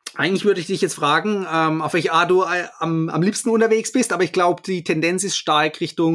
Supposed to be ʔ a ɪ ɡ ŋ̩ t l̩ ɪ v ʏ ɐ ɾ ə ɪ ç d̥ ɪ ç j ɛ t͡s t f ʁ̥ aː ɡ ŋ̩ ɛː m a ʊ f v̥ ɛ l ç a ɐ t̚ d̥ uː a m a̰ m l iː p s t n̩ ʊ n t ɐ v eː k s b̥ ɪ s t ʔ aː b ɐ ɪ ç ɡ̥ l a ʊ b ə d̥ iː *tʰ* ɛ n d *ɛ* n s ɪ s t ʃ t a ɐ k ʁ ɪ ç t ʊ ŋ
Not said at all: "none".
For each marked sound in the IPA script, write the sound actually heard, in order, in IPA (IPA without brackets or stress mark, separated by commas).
tʰ, ɛ